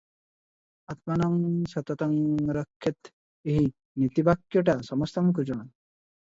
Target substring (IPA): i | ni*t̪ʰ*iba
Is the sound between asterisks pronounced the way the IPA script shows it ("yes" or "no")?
no